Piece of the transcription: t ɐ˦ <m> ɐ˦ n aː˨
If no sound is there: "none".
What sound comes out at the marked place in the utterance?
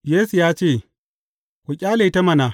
m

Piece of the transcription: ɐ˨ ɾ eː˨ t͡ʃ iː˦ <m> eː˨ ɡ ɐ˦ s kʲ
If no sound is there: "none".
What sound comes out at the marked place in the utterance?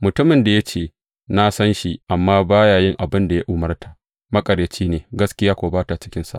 n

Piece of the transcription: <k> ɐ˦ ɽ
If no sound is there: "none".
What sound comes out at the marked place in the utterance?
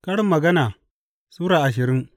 k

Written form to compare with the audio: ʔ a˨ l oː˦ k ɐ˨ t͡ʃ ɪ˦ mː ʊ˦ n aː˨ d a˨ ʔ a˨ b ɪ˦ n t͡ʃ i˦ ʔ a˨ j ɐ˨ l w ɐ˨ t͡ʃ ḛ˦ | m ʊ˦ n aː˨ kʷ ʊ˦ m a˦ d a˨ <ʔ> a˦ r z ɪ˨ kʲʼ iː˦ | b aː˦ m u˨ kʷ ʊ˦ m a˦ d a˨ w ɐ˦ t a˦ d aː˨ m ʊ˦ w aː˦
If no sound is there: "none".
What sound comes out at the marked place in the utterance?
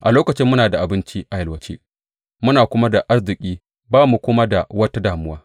ʔ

